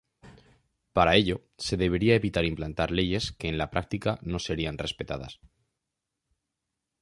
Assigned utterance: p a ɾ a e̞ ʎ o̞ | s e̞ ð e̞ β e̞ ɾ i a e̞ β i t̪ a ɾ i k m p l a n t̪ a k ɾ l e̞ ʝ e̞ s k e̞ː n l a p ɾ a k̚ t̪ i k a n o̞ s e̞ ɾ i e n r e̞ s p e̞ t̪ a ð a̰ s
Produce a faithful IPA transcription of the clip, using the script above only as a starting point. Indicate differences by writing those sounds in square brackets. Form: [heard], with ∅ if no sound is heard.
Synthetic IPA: p a ɾ a e̞ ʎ o̞ | s e̞ ð e̞ β e̞ ɾ i a e̞ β i t̪ a ɾ i [∅] m p l a n t̪ a [∅] ɾ l e̞ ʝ e̞ s k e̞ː n l a p ɾ a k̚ t̪ i k a n o̞ s e̞ ɾ i [a] n r e̞ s p e̞ t̪ a ð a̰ s